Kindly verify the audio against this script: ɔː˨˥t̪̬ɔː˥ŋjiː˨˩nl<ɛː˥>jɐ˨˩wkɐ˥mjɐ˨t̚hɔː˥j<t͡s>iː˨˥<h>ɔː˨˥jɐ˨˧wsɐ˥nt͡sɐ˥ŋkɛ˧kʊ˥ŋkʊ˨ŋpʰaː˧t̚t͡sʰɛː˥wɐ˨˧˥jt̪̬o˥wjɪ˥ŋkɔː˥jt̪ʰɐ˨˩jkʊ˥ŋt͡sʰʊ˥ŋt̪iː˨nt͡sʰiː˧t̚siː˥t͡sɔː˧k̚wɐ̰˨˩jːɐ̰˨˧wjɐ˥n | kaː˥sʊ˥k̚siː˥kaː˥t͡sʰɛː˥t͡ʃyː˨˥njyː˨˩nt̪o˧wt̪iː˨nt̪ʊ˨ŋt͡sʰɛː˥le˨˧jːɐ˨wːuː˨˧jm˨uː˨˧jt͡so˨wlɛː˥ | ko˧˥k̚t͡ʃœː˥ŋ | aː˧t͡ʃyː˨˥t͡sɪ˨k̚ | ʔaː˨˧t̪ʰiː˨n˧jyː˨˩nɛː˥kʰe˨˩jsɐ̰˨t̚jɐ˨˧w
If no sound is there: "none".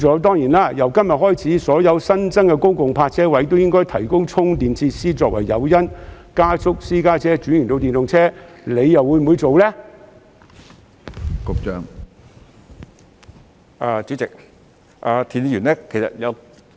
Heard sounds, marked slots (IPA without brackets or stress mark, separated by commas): aː˥, t͡sʰ, s